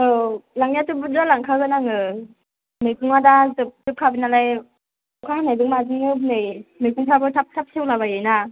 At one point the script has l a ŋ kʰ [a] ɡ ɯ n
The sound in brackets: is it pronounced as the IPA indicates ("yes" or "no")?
yes